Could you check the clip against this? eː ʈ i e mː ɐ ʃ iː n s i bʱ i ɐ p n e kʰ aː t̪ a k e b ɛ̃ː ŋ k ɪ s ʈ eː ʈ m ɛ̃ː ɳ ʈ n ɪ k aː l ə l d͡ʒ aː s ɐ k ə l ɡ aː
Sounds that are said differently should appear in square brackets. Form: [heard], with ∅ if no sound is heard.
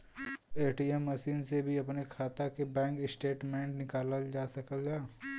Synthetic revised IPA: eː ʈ i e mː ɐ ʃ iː n s [e] bʱ i ɐ p n e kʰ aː t̪ a k e b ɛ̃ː ŋ k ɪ s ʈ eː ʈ m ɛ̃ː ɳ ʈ n ɪ k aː l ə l d͡ʒ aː s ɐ k ə l ɡ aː